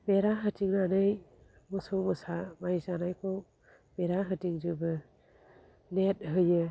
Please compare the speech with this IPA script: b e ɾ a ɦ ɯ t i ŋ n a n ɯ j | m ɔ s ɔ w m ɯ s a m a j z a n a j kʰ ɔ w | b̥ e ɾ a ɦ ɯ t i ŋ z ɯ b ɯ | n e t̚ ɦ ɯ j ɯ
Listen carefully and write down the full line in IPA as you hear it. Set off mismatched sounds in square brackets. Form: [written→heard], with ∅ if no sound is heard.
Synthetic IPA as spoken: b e ɾ a ɦ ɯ t i ŋ n a n ɯ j | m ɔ s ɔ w m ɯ s a m a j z a n a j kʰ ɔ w | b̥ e ɾ a ɦ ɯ t i ŋ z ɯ b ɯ | n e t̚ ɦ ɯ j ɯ